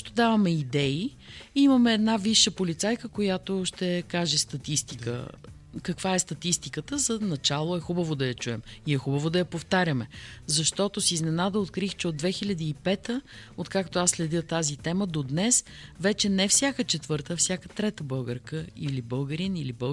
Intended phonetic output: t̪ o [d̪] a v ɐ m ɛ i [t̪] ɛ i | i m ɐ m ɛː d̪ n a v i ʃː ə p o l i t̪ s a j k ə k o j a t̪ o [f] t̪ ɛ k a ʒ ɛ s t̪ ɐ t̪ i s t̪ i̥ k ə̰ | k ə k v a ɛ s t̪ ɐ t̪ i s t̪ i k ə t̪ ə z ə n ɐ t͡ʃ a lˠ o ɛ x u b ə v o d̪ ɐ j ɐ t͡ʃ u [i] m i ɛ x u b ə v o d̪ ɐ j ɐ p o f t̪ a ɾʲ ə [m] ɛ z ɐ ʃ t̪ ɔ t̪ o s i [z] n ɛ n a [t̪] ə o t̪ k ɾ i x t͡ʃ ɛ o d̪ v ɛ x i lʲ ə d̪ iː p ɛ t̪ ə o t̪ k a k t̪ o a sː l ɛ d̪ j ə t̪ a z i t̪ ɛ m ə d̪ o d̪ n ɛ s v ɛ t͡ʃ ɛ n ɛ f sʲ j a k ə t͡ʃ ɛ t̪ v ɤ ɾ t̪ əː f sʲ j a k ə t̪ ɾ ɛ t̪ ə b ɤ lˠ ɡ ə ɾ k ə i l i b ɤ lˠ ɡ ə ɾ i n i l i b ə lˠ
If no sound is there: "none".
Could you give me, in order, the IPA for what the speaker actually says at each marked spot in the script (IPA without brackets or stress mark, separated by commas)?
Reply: d̪, d̪, ʃ, ɛ, m, z, d̪